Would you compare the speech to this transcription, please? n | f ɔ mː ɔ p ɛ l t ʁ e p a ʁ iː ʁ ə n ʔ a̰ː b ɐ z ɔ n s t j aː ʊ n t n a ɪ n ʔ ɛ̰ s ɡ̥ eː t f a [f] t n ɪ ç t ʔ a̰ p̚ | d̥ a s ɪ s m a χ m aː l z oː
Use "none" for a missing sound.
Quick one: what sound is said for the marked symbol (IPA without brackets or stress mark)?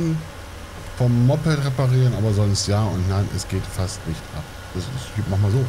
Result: s